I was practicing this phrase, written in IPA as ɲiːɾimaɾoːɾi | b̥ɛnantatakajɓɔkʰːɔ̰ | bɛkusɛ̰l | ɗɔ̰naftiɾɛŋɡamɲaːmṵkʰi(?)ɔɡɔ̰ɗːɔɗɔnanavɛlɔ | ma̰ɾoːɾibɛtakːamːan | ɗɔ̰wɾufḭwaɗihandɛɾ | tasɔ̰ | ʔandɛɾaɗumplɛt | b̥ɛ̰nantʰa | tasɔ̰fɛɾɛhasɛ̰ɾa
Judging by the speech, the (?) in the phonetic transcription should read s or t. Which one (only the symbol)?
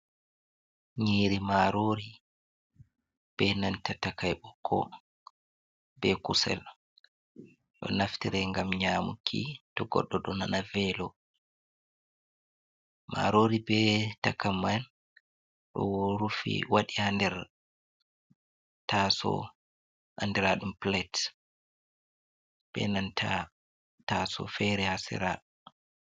t